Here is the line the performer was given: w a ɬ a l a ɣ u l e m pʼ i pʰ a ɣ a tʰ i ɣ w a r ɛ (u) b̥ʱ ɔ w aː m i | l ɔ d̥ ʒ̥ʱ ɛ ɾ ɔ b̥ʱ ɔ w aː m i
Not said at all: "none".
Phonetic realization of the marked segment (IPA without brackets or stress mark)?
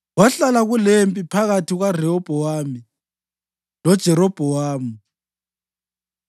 ɔ